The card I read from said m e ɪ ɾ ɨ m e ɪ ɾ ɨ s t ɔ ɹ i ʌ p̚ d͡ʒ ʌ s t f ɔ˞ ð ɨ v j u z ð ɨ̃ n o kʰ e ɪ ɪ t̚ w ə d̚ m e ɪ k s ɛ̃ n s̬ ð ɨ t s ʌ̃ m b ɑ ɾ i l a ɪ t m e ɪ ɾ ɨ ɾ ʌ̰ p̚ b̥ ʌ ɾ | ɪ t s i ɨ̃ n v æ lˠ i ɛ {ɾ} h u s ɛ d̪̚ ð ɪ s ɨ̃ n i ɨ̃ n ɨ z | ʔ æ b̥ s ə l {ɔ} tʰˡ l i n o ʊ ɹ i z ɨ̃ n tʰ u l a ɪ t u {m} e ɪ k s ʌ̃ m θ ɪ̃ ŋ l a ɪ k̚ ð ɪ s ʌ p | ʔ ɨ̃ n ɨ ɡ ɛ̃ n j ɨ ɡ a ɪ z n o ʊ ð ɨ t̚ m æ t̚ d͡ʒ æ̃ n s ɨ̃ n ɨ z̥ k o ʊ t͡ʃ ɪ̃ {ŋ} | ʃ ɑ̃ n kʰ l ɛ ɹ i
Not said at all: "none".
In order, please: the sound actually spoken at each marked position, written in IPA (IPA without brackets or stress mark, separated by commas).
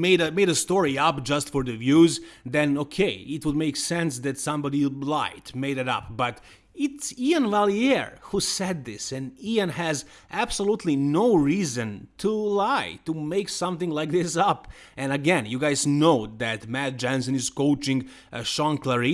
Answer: ɹ, u, m, ŋ